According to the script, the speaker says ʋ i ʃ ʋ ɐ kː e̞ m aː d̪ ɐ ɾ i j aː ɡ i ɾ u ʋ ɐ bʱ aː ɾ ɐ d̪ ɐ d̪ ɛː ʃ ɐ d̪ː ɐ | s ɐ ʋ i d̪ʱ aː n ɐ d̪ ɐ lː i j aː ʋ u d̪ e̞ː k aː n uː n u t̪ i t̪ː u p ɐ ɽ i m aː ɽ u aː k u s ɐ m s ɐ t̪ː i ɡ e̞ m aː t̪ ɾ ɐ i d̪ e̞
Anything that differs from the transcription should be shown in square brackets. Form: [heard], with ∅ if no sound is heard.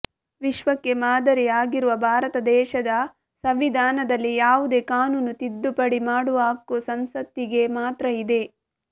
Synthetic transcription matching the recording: ʋ i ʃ ʋ ɐ kː e̞ m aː d̪ ɐ ɾ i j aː ɡ i ɾ u ʋ ɐ bʱ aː ɾ ɐ [t̪] ɐ d̪ ɛː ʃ ɐ [d̪] ɐ | s ɐ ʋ i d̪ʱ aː n ɐ d̪ ɐ lː i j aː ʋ u d̪ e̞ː k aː n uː n u t̪ i [d̪ː] u p ɐ ɽ i m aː ɽ u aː k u s ɐ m s ɐ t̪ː i ɡ e̞ m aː t̪ ɾ ɐ i d̪ e̞